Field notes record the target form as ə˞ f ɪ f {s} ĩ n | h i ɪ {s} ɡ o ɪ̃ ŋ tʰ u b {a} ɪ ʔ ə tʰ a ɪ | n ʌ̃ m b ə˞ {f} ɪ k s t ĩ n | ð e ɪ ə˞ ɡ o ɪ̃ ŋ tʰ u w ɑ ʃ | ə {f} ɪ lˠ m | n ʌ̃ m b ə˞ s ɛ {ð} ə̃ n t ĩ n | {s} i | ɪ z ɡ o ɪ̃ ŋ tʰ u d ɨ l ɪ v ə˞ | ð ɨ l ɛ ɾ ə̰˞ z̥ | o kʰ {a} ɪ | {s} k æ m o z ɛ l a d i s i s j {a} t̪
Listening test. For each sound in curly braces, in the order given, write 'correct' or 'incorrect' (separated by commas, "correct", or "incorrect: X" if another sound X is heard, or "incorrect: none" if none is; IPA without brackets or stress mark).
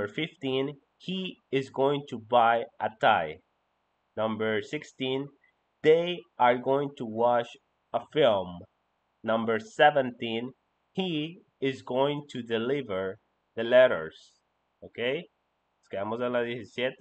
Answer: incorrect: t, incorrect: z, correct, incorrect: s, correct, incorrect: v, incorrect: h, incorrect: e, correct, incorrect: ɛ